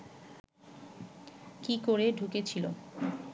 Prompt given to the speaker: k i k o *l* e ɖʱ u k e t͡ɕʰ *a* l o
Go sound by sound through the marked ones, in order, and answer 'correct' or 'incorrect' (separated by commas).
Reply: incorrect, incorrect